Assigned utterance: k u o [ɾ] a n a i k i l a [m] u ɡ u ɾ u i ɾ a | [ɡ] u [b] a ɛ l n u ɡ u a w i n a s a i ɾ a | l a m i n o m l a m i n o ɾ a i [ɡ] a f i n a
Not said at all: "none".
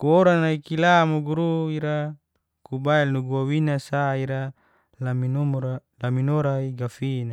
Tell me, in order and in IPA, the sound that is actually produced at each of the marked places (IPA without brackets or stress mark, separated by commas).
ɾ, m, k, b, ɡ